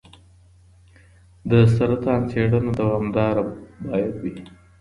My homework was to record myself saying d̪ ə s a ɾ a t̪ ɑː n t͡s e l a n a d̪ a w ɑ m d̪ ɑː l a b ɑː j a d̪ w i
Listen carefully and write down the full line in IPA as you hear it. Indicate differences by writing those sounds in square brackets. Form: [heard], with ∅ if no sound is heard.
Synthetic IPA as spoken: d̪ ə s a ɾ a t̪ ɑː n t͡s e [ɽ] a n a d̪ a w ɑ m d̪ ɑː [ɾ] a b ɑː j a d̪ w i